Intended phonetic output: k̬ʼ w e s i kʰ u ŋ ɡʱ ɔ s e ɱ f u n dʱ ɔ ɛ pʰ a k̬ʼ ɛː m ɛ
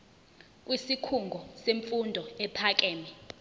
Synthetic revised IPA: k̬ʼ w i s i kʰ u ŋ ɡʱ ɔ s e ɱ f u n dʱ ɔ ɛ pʰ a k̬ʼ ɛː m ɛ